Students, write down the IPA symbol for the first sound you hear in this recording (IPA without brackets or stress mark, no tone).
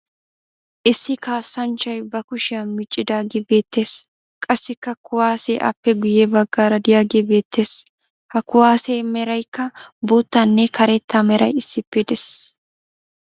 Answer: ʔ